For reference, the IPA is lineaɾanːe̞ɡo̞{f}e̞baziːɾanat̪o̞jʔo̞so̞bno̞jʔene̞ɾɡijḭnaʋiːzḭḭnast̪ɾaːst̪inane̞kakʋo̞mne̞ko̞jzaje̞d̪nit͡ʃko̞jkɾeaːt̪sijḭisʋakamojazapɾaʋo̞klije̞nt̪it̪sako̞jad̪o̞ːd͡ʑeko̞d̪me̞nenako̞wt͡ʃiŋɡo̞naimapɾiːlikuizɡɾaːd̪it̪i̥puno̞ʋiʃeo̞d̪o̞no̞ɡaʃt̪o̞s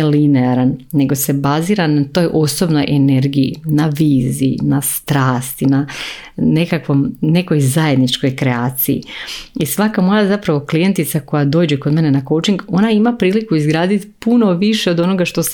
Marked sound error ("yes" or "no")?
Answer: yes